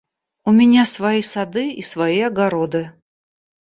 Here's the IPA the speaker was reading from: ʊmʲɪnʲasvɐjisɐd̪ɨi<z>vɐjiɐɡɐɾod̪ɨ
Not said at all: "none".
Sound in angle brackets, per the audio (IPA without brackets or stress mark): s